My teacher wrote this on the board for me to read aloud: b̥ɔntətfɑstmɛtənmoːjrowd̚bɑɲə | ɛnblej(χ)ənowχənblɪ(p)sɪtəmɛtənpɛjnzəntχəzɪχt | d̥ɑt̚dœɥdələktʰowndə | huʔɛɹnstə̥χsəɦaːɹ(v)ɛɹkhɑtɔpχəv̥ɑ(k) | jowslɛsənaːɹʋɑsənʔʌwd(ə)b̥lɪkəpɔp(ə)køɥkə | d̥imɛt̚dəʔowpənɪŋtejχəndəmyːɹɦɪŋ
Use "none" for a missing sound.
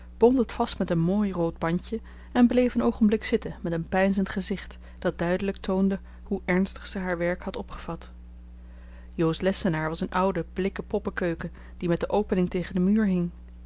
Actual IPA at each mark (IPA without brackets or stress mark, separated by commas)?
f, k, ʋ, t, ə, ə